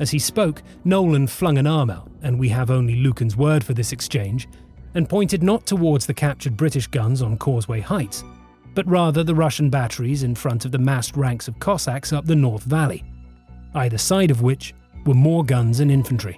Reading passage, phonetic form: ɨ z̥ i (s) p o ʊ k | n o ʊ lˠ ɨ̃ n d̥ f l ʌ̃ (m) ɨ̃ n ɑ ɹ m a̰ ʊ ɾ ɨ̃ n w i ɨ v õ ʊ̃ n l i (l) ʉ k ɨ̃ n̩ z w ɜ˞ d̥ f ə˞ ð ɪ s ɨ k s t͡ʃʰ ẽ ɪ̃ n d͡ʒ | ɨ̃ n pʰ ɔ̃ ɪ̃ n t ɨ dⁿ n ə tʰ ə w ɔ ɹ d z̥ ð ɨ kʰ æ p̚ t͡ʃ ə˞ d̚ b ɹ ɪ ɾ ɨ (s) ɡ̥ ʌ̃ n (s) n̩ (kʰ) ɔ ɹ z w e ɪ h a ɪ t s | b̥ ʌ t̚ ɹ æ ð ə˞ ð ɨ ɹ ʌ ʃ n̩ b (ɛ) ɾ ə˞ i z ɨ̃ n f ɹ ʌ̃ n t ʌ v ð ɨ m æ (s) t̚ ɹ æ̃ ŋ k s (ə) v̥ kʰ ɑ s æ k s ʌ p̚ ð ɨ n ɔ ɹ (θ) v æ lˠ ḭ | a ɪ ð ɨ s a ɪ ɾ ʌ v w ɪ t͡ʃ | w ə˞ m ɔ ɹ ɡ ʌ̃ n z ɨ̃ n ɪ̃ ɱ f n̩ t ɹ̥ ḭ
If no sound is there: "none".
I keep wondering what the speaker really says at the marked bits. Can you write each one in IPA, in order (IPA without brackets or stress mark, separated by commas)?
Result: s, ŋ, l, ʃ, z, kʰ, æ, s, ʌ, θ